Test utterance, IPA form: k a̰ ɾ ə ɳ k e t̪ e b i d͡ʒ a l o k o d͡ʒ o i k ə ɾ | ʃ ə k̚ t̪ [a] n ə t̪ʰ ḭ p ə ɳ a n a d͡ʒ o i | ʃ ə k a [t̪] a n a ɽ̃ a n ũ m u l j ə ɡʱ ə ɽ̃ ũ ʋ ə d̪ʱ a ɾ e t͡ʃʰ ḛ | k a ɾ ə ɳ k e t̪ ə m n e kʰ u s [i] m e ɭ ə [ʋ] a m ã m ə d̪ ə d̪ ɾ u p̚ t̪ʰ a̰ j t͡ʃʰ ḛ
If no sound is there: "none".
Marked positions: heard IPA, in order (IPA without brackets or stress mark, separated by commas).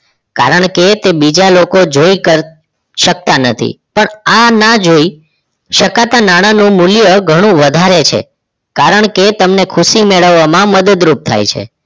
a, t̪, i, ʋː